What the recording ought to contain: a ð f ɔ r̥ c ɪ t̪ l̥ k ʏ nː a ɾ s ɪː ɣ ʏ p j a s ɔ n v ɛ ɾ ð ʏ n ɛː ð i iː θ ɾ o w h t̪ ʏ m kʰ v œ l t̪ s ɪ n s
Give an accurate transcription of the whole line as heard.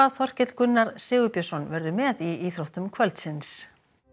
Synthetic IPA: a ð θ ɔ r̥ c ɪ t̪ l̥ k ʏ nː a ɾ s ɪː ɣ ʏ p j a s ɔ n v ɛ ɾ ð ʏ m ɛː ð i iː θ ɾ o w h t̪ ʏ m kʰ v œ l t̪ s ɪ n s